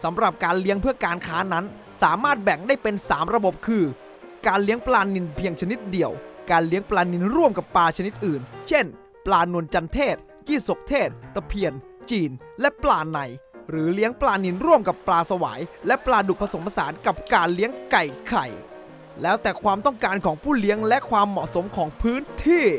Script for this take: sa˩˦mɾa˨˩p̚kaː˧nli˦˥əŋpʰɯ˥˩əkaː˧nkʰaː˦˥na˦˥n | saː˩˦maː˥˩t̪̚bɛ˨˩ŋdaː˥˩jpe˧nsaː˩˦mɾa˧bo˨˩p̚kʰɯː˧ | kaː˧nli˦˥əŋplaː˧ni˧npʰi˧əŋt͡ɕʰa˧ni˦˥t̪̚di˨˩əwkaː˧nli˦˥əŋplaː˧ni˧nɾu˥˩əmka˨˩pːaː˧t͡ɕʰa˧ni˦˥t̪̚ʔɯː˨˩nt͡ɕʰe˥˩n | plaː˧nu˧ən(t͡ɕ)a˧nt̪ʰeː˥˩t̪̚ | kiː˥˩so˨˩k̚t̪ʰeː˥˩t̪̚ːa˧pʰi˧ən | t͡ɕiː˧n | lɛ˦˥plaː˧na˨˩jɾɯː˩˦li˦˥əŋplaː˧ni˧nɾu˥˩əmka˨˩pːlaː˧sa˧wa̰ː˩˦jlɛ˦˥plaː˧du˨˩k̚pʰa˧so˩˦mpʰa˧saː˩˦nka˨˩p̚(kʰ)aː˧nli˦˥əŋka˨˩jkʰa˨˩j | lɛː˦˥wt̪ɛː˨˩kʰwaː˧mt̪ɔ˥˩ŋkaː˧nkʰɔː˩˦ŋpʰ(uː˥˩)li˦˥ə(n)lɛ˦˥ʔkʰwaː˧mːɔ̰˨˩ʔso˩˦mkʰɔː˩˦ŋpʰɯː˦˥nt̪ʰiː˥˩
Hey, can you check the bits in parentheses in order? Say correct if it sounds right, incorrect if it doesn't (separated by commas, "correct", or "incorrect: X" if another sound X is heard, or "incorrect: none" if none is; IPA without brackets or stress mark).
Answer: correct, incorrect: k, correct, incorrect: ŋ